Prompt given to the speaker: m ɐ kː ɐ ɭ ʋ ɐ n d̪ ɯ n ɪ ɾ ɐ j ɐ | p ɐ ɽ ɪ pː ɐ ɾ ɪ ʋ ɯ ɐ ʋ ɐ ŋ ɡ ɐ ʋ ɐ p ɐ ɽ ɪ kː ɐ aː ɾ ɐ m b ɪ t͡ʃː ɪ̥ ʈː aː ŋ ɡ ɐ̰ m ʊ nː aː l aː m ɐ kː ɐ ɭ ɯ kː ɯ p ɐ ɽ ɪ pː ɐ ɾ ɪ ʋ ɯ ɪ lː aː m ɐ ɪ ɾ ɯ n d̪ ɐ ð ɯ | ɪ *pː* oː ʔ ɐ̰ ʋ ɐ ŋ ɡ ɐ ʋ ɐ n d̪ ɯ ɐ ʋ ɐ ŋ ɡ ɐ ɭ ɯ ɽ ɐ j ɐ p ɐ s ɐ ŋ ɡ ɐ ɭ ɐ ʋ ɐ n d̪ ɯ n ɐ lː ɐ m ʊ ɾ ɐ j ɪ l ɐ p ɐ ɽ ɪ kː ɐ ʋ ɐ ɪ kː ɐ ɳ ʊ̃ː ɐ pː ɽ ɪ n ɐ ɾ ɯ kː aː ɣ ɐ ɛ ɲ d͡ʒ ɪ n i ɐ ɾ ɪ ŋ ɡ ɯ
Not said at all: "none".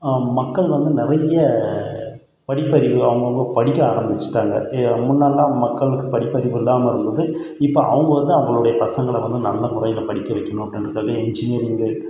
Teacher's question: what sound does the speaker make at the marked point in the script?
pː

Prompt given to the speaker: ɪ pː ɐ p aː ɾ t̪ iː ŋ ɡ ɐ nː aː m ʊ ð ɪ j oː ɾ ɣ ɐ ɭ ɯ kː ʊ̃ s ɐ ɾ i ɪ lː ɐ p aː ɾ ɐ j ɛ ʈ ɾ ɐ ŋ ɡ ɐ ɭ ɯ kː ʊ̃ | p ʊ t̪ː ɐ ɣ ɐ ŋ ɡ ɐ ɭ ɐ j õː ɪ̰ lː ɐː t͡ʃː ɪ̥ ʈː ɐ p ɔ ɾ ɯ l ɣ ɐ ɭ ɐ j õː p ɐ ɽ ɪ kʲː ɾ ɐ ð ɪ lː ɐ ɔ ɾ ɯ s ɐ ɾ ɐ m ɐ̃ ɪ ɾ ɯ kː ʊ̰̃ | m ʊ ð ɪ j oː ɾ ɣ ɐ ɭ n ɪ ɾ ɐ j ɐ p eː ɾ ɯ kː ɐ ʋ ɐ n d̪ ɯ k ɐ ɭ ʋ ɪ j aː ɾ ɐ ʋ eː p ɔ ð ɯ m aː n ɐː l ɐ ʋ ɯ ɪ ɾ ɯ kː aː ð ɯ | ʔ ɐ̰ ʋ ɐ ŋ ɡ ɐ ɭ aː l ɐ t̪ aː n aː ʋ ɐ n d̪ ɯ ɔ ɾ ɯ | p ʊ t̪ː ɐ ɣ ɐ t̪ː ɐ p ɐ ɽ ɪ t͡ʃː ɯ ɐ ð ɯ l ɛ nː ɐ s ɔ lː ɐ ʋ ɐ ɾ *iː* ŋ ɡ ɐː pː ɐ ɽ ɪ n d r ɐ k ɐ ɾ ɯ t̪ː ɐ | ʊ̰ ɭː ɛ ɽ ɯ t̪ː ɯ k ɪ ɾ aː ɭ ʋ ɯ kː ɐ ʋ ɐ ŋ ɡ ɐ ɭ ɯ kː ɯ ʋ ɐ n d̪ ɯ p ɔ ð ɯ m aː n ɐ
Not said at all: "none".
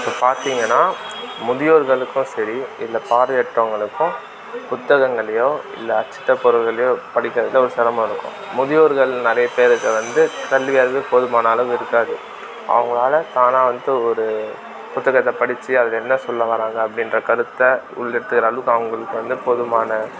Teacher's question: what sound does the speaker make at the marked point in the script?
aː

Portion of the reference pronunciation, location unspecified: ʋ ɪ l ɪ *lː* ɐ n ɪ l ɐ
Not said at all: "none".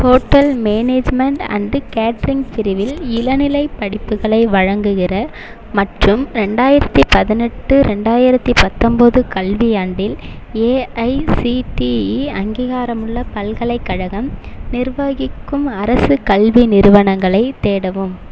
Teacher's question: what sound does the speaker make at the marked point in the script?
l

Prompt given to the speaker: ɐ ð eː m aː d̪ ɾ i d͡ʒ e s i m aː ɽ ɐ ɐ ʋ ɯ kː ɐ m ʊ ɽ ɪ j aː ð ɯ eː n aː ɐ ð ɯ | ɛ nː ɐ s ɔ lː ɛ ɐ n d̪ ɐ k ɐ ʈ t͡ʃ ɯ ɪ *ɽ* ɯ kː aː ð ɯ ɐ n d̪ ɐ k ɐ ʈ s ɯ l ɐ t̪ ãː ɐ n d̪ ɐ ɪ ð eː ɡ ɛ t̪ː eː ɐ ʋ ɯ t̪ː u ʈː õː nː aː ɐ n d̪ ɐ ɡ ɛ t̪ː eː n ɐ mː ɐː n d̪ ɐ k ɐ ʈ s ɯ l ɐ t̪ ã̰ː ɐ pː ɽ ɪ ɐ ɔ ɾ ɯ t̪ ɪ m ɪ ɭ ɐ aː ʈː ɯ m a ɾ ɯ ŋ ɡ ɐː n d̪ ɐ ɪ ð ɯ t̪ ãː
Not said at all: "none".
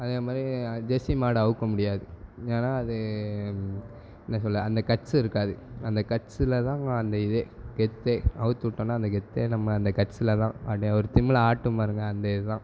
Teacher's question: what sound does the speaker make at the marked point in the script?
ɾ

